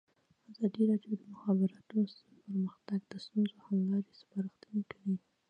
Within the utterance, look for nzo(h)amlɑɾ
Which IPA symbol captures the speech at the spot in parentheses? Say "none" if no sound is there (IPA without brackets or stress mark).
h